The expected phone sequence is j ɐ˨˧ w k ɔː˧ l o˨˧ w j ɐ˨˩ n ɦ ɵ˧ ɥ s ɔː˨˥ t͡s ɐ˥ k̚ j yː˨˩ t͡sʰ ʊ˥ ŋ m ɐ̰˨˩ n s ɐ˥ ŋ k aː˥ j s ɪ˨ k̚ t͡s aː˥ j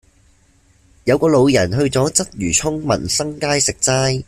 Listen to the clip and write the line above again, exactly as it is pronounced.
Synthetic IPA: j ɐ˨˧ w k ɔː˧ l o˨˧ w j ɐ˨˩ n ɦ ɵ˧ ɥ t͡s ɔː˨˥ t͡s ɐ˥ t̚ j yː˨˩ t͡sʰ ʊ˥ ŋ m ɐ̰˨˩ n s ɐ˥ ŋ k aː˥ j s ɪ˨ k̚ t͡s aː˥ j